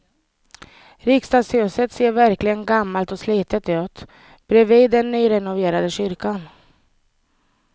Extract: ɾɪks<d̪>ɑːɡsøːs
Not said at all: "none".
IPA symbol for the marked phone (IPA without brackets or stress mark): t̪